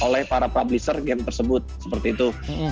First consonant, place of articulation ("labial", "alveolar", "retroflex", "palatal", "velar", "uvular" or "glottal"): alveolar